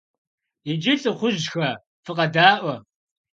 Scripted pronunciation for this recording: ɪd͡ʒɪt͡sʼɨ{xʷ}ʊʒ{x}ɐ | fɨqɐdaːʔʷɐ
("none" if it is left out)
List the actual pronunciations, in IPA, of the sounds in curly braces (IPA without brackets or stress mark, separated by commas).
χʷ, x